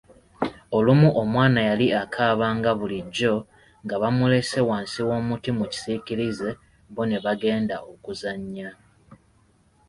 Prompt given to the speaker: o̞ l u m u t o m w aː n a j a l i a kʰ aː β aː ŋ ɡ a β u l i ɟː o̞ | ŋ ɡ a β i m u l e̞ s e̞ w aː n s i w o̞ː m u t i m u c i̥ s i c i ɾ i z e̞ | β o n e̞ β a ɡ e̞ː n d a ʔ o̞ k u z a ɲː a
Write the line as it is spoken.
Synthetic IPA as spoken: o̞ l u m u ʔ o m w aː n a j a l i a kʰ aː β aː ŋ ɡ a β u l i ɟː o̞ | ŋ ɡ a β a m u l e̞ s e̞ w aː n s i w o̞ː m u t i m u c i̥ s i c i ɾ i z e̞ | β o n e̞ β a ɡ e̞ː n d a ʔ o̞ k u z a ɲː a